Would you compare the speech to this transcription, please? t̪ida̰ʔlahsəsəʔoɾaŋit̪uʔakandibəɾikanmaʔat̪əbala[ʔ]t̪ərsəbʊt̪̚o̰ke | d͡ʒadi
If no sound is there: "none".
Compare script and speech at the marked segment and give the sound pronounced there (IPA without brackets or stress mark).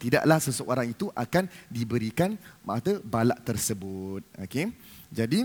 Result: ʔ